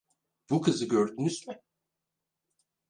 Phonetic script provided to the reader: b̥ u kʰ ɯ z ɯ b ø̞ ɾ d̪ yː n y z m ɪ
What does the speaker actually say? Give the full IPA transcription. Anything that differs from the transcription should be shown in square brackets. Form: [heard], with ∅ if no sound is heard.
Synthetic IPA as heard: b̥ u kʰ ɯ z ɯ [ɟ] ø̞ ɾ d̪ [y] n y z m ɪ